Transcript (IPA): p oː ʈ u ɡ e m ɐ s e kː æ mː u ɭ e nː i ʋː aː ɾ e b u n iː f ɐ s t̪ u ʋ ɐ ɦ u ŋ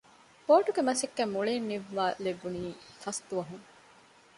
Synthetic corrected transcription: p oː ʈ u ɡ e m ɐ s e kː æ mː u ɭ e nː i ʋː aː l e b u n iː f ɐ s t̪ u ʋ ɐ ɦ u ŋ